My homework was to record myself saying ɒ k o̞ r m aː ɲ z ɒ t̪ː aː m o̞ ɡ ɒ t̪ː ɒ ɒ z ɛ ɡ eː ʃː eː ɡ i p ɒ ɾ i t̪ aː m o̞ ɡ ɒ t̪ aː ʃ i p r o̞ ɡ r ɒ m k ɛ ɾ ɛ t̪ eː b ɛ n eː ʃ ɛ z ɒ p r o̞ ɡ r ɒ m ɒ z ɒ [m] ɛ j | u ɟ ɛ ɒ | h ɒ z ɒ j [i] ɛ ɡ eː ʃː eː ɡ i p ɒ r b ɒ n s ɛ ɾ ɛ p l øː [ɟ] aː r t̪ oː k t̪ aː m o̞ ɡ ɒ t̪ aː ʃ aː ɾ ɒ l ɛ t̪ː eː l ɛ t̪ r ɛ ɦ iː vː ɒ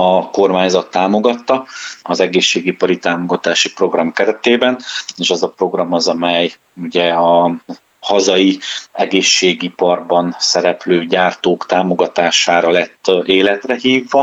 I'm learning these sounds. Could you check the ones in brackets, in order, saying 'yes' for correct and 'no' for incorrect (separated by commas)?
yes, yes, yes